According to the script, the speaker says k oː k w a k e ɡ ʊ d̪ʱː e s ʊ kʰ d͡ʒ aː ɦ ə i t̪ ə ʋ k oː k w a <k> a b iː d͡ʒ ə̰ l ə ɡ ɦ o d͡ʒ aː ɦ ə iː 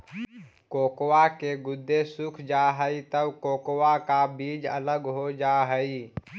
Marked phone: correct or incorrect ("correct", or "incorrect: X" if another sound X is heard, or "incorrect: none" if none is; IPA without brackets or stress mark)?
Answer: correct